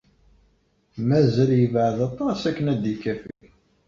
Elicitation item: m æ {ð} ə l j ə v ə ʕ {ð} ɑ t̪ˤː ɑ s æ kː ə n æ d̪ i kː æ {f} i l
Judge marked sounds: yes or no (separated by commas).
no, yes, yes